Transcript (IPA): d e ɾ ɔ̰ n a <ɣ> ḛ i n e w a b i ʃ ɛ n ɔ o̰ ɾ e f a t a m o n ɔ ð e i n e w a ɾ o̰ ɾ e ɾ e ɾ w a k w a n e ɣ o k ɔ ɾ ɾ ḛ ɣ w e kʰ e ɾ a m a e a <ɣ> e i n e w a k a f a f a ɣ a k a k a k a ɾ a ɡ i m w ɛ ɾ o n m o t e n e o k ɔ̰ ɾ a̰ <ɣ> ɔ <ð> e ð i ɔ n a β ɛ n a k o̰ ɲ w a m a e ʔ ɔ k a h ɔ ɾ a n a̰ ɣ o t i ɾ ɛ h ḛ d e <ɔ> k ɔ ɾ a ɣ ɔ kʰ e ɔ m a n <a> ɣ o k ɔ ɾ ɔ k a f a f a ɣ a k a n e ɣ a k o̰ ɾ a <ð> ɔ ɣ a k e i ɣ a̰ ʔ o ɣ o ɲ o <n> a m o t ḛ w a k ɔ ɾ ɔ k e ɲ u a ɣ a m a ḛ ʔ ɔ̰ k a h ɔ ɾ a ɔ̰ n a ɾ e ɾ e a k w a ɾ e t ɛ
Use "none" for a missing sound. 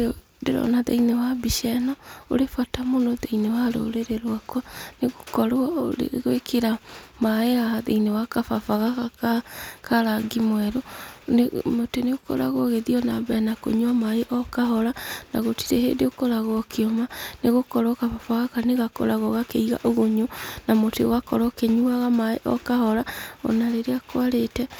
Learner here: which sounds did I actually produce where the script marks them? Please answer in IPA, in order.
ð, ð, ɣ, ɣ, o, e, ɣ, n

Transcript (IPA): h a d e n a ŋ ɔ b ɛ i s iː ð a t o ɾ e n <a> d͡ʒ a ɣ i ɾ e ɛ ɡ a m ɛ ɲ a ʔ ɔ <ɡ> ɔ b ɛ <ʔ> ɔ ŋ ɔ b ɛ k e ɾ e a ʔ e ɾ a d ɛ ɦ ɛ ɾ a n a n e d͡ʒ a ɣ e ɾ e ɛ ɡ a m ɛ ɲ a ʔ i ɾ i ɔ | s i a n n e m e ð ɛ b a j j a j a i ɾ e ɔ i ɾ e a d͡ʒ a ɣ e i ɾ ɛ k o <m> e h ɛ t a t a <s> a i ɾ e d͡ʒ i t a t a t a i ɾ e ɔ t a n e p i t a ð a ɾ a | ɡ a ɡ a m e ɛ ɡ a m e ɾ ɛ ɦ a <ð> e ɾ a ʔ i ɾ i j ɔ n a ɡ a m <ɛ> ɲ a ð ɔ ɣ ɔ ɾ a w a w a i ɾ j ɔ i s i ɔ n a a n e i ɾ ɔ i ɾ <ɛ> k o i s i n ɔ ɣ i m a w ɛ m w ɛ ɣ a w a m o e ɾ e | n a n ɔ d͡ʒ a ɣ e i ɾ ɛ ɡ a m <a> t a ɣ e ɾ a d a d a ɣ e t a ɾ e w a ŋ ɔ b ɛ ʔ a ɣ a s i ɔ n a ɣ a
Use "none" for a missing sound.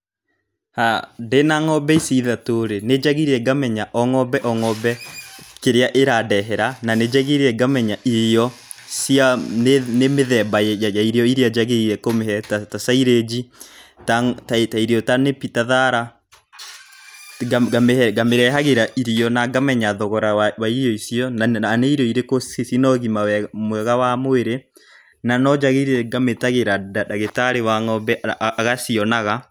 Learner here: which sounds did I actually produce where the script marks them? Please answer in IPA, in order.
e, ŋ, ʔ, m, s, ɣ, ɛ, e, e

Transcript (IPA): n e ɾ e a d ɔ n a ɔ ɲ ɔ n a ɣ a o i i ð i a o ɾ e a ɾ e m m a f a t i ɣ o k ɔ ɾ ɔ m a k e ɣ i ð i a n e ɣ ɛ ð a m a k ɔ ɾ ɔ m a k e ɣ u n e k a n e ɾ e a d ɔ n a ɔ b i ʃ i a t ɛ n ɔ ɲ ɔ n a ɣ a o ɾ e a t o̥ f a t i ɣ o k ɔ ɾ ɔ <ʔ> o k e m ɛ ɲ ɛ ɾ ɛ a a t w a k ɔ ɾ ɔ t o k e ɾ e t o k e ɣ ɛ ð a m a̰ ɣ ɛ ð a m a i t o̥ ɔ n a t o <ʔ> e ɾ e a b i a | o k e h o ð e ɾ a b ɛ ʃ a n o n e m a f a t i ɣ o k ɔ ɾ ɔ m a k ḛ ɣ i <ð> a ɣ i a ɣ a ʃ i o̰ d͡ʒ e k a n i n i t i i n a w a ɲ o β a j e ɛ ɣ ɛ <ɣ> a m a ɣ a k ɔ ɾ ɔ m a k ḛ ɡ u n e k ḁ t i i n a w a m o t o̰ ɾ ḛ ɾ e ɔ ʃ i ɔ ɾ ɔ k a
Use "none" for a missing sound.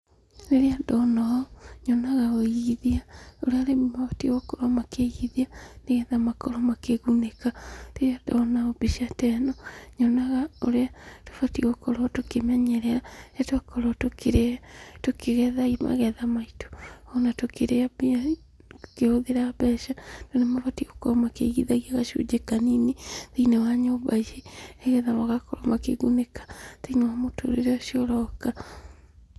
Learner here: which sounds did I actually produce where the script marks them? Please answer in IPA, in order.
t, k, ð, ð

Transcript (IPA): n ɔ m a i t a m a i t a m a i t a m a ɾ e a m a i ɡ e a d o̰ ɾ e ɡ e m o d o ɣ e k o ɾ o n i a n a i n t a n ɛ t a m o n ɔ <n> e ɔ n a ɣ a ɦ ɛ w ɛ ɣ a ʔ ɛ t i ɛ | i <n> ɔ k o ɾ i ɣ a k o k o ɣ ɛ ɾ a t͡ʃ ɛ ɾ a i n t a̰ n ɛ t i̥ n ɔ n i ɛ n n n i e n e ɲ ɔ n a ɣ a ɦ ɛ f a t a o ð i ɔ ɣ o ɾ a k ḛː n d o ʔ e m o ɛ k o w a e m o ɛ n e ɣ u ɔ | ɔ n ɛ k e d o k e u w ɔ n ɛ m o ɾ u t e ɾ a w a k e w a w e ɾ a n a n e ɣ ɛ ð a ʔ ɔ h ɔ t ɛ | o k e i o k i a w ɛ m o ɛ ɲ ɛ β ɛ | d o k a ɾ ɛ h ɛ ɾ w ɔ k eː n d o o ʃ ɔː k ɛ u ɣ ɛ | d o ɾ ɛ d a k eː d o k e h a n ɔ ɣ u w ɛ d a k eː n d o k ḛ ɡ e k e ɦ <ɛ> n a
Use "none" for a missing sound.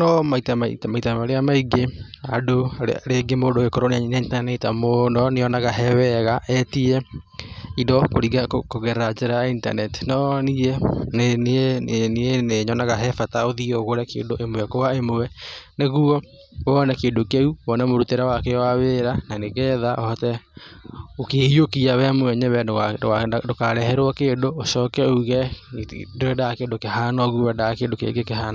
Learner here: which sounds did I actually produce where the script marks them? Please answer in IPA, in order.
n, d, a

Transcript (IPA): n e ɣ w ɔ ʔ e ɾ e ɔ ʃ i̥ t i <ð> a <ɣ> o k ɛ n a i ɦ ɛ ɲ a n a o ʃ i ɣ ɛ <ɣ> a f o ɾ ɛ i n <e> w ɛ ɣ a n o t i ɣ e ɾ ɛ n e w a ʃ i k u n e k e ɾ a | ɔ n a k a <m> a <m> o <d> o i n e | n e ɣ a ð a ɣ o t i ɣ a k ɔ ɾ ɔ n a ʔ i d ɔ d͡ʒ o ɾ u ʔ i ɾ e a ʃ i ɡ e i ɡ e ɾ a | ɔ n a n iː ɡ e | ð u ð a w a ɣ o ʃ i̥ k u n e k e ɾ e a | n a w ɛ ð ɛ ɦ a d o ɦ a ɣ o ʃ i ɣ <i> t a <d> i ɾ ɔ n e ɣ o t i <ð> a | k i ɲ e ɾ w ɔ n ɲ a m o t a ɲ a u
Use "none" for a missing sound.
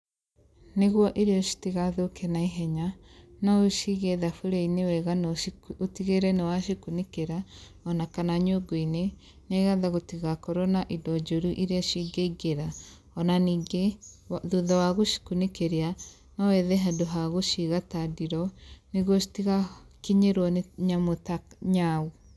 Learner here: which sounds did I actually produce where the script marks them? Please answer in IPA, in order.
ɣ, ð, ð, e, n, ɲ, ɡ, a, d, ɣ

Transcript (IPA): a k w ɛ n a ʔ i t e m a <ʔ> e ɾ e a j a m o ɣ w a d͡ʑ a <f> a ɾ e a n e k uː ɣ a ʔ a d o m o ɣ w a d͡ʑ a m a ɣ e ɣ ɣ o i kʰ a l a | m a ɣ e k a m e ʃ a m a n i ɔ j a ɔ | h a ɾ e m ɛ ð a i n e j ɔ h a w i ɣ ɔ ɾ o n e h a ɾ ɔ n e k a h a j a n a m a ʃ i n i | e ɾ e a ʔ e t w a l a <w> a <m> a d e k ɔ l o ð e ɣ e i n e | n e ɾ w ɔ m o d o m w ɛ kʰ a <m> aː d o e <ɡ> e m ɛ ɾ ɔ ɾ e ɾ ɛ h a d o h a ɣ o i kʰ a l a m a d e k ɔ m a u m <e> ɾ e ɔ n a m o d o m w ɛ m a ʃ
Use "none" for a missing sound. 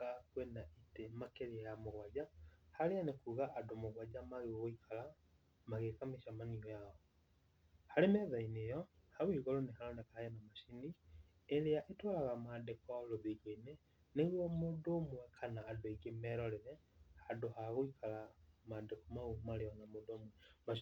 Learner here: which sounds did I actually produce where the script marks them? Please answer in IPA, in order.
k, h, ɣ, m, n, ɡ, a

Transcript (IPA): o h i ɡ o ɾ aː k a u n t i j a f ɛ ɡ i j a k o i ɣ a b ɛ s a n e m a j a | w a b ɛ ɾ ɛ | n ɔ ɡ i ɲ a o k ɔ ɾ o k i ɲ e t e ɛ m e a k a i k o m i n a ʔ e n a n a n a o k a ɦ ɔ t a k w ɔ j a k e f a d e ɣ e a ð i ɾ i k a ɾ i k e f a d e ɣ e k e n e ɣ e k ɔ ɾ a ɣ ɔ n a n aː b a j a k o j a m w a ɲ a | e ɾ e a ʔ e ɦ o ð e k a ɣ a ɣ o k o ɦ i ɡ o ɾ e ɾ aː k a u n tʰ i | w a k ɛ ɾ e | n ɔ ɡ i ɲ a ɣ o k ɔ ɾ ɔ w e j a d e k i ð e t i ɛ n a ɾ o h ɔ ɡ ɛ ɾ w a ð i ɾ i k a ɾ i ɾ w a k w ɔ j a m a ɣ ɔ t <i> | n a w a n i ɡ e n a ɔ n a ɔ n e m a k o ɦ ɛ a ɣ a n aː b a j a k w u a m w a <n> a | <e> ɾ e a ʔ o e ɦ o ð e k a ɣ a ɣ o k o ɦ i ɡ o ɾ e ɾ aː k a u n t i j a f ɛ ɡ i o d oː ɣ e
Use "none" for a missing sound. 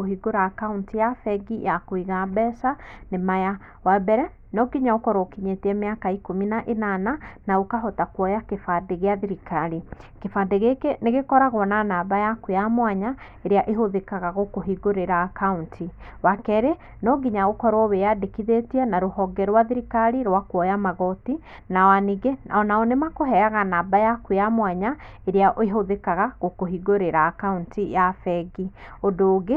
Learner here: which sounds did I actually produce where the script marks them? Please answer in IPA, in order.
i, ɲ, e

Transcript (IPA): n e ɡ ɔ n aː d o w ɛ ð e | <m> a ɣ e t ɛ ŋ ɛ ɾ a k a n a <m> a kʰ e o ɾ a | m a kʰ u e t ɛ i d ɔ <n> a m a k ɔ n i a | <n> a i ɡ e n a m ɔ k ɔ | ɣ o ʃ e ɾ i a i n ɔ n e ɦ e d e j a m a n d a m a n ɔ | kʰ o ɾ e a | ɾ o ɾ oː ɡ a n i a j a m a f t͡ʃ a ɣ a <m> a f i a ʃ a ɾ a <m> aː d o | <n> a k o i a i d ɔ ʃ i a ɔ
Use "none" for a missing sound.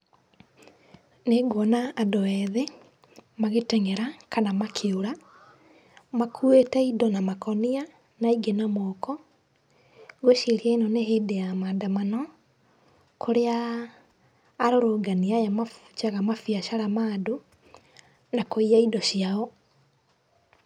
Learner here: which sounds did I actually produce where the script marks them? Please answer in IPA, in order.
m, m, n, n, m, m, n

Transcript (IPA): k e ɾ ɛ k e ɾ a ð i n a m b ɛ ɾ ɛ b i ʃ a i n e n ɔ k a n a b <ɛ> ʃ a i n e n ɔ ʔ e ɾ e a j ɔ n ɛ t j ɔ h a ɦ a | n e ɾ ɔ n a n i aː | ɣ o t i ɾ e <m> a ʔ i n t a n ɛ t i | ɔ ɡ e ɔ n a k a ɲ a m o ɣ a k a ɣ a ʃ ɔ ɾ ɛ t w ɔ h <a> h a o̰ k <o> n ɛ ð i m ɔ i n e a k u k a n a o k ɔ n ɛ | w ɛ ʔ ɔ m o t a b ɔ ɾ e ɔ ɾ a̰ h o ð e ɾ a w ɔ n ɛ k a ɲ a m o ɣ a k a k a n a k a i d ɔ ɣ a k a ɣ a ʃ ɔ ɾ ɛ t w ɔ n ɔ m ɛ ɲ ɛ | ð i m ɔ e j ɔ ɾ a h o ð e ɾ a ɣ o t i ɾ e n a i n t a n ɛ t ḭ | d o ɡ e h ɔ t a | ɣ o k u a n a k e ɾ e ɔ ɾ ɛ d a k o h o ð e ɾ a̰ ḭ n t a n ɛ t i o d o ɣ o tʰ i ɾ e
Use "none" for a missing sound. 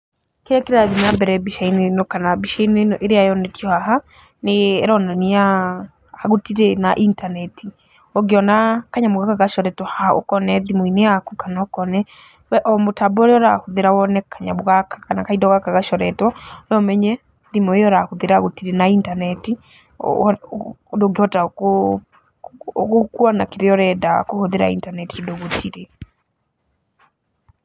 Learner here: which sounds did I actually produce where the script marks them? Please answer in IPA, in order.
i, n, a, ɔ

